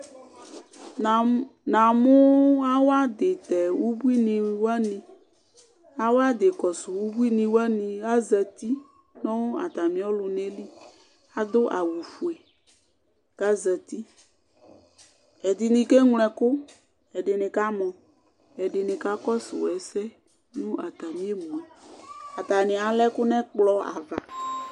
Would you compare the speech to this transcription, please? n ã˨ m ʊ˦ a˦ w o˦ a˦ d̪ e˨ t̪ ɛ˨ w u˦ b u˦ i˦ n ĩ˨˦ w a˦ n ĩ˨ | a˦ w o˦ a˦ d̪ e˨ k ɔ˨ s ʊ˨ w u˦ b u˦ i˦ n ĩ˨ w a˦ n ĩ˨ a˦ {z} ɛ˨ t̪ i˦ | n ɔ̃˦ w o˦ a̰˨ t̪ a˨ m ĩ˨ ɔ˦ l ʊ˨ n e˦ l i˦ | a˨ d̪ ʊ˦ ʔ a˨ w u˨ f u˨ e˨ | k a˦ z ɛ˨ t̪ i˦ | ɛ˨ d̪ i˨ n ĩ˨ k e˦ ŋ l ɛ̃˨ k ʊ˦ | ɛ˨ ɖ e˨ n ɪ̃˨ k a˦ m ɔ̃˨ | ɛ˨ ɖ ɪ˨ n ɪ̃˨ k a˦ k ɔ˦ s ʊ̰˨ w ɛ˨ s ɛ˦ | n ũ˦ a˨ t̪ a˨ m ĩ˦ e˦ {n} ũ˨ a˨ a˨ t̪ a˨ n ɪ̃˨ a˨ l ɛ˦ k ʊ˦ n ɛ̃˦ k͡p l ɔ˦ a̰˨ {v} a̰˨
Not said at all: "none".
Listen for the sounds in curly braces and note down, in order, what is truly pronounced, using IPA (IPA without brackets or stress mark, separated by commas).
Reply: z, m, v